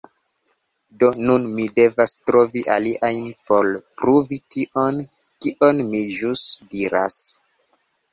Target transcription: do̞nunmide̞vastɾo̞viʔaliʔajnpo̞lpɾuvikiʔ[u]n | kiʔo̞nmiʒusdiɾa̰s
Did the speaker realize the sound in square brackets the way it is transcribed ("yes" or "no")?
no